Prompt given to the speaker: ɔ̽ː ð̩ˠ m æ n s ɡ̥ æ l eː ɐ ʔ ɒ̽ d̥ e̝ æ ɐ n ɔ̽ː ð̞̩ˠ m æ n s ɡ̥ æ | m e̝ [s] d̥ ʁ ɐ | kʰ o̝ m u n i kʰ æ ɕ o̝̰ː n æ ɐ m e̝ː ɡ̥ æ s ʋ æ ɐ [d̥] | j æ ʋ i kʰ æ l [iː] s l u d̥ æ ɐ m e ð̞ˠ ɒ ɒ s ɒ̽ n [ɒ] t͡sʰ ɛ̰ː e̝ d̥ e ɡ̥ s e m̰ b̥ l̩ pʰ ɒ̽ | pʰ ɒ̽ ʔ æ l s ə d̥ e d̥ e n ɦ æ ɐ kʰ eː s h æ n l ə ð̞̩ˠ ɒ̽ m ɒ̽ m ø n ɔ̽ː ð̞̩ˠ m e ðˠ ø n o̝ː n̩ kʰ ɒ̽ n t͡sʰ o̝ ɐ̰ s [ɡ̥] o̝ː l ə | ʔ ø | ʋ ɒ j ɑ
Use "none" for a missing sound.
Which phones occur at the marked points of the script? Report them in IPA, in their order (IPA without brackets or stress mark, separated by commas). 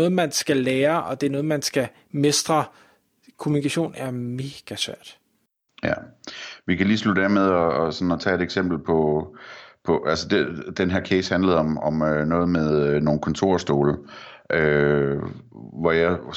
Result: s, d̥, iː, ɒ, d̥